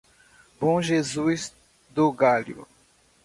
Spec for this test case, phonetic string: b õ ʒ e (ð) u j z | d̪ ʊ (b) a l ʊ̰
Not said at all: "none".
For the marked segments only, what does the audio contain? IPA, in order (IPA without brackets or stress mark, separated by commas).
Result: z, ɡ